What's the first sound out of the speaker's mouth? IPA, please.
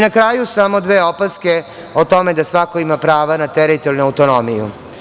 n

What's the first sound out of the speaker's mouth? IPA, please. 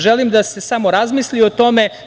ʒ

